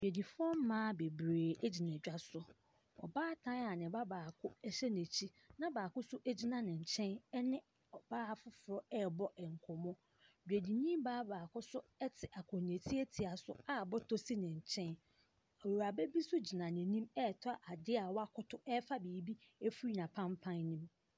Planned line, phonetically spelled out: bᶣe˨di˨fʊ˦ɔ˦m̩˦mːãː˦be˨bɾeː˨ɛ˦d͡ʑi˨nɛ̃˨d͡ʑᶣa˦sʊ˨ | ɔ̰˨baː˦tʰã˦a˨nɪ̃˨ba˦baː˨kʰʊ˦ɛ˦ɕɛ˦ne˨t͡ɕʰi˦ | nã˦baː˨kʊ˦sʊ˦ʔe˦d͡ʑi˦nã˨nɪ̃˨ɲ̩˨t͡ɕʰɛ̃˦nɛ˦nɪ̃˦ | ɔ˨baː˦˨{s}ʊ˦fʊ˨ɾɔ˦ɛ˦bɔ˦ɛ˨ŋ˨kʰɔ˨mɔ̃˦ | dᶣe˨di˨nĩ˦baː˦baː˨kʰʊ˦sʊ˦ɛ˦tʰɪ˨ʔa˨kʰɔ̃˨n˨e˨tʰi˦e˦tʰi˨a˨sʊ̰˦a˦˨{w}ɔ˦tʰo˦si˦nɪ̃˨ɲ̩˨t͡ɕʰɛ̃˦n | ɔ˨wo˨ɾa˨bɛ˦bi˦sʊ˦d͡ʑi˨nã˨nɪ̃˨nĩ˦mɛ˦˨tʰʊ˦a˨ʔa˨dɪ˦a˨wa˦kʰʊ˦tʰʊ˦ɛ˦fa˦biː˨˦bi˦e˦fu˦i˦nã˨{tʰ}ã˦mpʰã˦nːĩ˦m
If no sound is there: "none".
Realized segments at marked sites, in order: f, b, pʰ

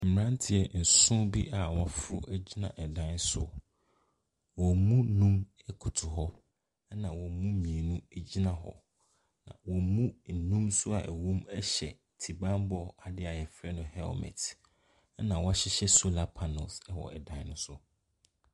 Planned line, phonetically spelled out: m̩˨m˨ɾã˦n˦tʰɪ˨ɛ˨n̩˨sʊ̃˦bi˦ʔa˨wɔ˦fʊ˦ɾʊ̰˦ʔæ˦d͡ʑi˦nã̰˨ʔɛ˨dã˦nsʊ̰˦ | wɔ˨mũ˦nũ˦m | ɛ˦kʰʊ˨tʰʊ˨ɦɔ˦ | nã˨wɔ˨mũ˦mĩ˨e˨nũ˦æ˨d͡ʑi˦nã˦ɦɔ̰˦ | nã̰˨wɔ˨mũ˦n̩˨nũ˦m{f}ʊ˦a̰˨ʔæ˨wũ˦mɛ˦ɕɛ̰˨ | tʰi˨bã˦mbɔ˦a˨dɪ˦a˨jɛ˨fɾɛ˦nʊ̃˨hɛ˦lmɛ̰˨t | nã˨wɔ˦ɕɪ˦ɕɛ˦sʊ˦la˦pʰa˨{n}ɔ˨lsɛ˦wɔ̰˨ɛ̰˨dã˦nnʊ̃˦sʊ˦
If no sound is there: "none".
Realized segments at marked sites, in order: s, n

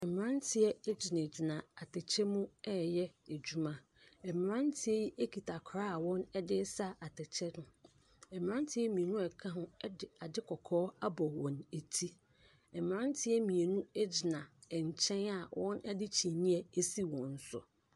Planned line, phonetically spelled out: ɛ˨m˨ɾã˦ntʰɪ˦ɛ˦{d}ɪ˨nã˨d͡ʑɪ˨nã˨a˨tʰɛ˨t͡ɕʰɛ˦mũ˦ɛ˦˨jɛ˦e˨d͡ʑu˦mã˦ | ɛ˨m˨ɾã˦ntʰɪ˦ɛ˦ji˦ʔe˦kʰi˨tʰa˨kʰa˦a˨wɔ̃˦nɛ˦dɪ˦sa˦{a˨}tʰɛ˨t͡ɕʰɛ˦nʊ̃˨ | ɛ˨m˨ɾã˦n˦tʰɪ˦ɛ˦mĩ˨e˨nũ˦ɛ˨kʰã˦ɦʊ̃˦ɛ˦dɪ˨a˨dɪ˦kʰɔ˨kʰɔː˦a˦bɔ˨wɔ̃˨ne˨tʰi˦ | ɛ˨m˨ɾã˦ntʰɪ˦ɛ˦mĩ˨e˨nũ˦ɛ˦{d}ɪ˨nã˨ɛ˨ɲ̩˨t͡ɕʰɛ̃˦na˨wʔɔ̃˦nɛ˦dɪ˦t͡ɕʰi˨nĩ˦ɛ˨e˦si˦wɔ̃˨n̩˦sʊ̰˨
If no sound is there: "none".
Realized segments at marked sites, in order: d͡ʑ, a˨, d͡ʑ

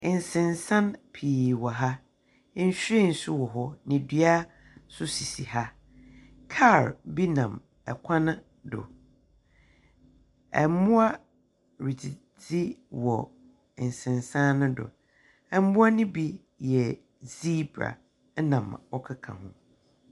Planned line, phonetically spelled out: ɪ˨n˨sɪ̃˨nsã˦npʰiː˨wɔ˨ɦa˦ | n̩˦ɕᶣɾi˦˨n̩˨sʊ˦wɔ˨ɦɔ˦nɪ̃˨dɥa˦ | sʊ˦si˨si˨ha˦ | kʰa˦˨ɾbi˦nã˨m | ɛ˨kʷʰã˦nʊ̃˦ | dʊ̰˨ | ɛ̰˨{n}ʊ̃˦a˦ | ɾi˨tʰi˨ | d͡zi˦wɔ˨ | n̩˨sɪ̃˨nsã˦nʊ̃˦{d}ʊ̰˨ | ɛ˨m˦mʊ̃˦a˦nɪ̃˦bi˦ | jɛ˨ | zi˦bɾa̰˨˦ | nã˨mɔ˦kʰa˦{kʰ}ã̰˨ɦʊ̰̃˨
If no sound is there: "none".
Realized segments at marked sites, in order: m, d, kʰ

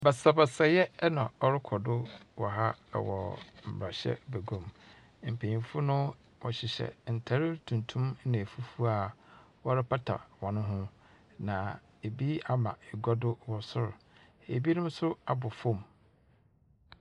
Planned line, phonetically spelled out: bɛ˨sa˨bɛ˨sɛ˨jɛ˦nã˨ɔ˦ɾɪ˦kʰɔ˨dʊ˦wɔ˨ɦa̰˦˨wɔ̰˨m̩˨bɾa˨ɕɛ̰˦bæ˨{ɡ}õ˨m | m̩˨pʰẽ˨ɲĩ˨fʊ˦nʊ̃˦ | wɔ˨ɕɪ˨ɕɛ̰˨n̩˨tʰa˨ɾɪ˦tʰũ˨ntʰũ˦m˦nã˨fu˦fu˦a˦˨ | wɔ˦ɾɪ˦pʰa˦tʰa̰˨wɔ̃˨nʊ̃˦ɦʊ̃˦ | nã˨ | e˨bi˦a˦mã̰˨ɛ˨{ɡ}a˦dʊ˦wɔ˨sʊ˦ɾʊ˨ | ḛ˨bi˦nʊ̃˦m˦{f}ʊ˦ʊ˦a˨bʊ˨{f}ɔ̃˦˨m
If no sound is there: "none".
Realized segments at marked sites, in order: ɡ, ɡ, s, f

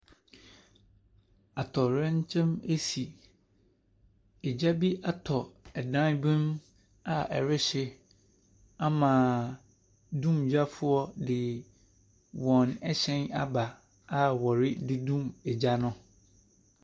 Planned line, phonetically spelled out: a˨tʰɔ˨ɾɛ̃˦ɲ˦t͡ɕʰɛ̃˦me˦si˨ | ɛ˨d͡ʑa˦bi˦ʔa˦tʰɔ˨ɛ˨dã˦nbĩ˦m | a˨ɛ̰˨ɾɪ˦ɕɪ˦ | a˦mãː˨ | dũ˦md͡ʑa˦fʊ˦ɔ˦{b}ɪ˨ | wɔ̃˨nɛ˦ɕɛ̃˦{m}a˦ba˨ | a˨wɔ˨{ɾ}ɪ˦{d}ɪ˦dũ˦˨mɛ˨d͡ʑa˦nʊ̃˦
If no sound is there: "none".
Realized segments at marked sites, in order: d, n, ɾ, d

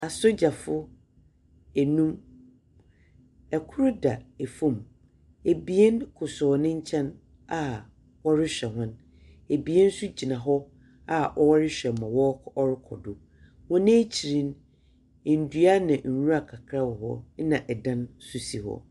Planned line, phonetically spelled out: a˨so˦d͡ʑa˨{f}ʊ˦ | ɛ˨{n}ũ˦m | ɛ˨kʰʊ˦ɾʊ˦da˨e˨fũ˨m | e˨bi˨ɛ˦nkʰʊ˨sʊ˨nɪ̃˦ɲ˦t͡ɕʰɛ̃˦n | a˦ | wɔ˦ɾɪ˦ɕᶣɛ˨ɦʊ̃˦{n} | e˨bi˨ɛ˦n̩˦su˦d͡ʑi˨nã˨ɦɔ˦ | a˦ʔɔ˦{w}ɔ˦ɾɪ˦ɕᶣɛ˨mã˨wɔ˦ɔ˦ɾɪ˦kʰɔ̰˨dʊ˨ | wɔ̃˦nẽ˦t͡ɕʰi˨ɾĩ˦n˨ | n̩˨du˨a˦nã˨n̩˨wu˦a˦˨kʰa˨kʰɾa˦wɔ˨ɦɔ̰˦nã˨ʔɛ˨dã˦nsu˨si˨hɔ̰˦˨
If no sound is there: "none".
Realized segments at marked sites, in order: f, n, n, w

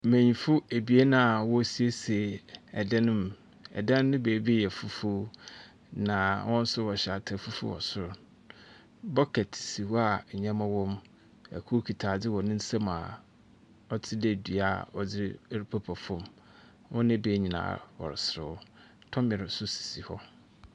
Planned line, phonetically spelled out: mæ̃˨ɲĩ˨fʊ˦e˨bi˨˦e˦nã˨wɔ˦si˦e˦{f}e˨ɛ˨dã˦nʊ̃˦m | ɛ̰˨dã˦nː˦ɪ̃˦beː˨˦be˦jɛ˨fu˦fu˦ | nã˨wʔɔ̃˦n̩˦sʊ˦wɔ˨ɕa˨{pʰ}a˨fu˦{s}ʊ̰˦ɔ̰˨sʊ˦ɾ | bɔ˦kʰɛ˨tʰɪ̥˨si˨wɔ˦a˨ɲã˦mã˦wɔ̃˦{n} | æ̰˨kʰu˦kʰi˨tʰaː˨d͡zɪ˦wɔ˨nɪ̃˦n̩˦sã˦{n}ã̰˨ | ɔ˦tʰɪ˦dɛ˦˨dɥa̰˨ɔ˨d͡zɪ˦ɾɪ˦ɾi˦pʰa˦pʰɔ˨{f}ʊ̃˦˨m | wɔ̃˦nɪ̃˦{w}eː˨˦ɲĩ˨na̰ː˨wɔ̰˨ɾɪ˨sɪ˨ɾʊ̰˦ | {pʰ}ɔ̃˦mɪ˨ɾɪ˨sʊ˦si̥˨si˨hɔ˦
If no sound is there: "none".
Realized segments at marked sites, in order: s, tʰ, f, m, m, f, b, tʰ

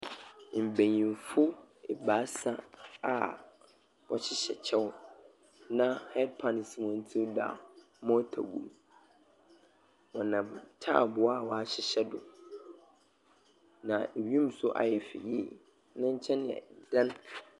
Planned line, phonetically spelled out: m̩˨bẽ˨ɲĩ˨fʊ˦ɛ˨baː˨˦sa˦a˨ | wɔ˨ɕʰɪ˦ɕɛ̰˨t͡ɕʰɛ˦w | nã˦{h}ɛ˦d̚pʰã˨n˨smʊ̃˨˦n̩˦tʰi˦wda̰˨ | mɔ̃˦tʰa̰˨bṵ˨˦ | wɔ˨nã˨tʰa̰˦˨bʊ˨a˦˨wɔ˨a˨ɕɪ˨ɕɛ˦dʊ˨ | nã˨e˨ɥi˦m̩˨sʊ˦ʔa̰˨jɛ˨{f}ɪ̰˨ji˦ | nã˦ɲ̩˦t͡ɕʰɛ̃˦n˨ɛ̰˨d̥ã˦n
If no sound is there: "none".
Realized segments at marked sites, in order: h, f

